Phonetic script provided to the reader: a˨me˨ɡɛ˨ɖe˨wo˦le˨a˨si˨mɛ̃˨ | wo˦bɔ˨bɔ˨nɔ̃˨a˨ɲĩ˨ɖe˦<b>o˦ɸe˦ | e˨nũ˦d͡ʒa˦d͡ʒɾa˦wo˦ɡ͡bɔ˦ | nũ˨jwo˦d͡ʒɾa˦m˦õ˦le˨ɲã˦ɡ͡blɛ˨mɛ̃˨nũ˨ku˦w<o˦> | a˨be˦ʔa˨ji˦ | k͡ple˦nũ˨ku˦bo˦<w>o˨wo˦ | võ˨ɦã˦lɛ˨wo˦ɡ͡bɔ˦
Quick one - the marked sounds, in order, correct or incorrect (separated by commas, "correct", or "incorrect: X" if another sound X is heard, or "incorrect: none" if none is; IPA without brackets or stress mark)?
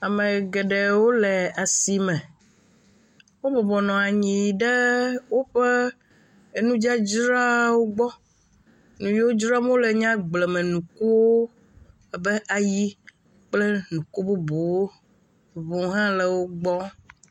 incorrect: w, correct, incorrect: b